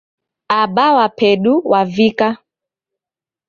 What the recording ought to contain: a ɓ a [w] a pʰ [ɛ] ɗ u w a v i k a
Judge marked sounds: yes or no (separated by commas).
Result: yes, yes